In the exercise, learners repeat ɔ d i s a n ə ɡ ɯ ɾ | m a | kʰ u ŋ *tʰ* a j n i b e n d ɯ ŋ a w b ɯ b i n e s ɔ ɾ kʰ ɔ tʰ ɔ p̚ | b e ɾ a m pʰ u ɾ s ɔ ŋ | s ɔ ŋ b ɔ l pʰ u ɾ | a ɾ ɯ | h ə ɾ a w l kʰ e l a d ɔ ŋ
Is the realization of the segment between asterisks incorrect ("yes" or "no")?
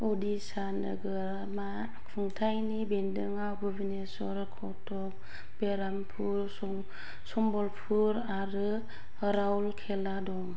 no